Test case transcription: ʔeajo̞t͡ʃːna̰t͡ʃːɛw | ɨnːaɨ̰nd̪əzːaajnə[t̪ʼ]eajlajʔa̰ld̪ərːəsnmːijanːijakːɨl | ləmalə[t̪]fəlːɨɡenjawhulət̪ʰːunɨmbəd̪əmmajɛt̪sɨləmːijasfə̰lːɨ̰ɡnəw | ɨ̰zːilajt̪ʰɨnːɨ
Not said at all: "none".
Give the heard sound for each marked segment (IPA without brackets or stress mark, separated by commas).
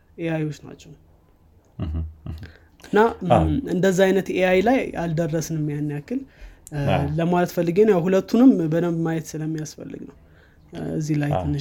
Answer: t̪, t̪